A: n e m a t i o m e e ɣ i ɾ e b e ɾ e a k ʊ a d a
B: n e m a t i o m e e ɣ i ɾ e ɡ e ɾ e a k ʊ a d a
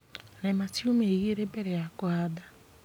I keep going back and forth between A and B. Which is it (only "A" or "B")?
A